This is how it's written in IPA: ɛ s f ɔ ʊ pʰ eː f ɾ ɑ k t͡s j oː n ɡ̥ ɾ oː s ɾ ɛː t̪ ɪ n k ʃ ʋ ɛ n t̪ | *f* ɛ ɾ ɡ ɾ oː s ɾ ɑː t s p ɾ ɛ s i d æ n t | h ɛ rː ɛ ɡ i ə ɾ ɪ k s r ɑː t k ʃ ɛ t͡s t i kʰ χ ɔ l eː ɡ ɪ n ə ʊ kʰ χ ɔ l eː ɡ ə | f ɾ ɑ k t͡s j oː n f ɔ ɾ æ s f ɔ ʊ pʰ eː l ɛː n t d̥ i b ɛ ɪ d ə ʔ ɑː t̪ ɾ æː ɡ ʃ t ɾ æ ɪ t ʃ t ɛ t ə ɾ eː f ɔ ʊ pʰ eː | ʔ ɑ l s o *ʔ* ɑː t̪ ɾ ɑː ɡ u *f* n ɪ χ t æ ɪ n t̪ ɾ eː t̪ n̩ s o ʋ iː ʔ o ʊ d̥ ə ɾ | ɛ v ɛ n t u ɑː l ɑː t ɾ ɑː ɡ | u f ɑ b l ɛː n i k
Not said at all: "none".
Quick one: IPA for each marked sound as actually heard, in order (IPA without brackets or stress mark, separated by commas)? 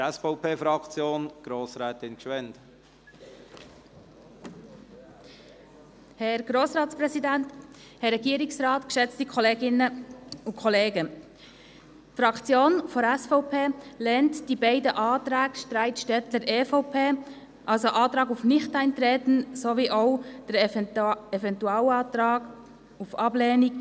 h, ʔ, f